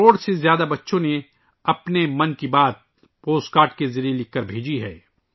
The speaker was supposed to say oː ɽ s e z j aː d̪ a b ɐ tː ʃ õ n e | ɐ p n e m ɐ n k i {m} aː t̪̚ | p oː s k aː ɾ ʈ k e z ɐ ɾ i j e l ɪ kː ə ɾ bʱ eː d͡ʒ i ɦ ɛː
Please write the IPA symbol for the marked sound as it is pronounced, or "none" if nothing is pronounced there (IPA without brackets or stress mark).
b